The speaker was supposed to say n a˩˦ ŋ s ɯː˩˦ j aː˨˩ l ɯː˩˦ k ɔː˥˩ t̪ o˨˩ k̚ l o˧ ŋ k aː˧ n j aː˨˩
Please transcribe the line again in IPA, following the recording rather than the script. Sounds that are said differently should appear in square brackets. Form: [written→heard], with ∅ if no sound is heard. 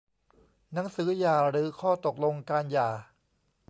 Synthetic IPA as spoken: n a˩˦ ŋ s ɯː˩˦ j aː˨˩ [l→ɾ] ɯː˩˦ [k→kʰ] ɔː˥˩ t̪ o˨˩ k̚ l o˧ ŋ k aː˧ n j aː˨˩

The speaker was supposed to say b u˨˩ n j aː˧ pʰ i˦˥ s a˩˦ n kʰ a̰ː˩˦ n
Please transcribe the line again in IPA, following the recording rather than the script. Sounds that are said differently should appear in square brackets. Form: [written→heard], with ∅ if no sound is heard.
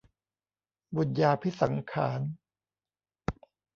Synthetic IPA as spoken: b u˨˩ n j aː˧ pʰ i˦˥ s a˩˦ [n→ŋ] kʰ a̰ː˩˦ n

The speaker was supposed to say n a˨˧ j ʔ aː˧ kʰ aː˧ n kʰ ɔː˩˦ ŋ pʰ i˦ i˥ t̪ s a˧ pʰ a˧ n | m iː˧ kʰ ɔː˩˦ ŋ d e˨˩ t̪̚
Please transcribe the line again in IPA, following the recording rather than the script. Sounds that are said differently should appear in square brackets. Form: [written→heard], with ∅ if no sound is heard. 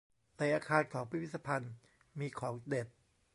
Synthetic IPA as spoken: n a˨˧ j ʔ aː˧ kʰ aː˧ n kʰ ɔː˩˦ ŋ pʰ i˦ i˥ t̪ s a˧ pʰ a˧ n | m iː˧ kʰ ɔː˩˦ ŋ d e˨˩ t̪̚

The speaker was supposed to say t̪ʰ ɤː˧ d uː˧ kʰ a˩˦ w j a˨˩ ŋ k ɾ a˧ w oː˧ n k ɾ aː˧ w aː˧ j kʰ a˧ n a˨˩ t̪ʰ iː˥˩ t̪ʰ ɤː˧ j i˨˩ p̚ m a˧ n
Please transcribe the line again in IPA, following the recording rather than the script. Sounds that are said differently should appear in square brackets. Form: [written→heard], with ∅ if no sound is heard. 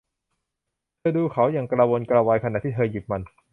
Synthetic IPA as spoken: t̪ʰ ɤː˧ d uː˧ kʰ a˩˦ w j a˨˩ ŋ k ɾ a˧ w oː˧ n k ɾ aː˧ w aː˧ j kʰ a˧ n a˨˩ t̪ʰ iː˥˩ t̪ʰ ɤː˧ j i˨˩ p̚ m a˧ n

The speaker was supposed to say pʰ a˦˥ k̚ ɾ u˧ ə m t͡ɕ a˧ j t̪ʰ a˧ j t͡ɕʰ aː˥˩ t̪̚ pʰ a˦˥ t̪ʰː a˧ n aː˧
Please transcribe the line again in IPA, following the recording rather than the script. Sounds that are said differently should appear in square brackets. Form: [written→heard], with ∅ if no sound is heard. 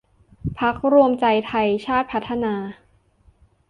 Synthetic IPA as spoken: pʰ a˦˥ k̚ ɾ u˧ ə m t͡ɕ a˧ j t̪ʰ a˧ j t͡ɕʰ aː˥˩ t̪̚ pʰ a˦˥ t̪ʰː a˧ n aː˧

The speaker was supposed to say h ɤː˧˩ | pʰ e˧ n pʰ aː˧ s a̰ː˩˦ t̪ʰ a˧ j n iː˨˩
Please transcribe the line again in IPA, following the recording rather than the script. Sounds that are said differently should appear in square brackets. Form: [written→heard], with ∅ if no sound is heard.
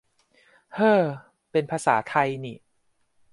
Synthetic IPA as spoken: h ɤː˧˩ | [pʰ→p] e˧ n pʰ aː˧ s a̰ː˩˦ t̪ʰ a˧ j n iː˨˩

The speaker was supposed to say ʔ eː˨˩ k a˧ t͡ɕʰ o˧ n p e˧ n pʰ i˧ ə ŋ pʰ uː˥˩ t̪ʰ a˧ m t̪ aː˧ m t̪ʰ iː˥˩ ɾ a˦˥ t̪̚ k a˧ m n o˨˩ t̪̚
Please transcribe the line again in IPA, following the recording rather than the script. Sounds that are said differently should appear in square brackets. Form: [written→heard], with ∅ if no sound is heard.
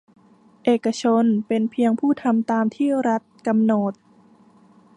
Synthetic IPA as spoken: ʔ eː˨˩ k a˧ t͡ɕʰ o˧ n p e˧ n pʰ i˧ ə ŋ pʰ uː˥˩ t̪ʰ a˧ m t̪ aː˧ m t̪ʰ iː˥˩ ɾ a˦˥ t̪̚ k a˧ m n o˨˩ t̪̚

